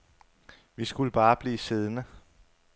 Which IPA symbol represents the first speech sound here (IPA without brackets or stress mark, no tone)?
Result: ʋ